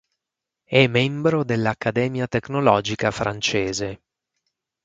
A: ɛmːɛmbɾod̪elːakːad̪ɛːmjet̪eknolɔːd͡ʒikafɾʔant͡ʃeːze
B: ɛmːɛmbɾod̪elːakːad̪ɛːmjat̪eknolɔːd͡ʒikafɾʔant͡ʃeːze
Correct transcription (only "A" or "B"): B